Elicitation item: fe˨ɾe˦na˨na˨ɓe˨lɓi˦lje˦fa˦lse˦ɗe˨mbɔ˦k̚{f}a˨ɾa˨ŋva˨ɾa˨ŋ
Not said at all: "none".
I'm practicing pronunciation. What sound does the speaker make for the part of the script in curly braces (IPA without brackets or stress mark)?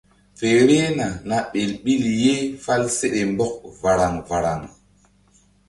v